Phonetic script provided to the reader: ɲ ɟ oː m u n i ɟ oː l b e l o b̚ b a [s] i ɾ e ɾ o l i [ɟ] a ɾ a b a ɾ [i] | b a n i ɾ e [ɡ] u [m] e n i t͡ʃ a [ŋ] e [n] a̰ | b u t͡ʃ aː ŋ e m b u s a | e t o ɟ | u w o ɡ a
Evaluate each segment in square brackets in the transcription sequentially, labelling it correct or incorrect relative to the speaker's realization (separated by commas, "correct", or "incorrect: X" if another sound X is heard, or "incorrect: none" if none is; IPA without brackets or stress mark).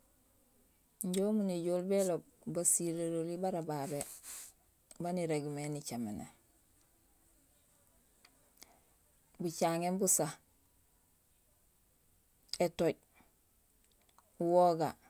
correct, incorrect: b, incorrect: e, correct, correct, incorrect: m, correct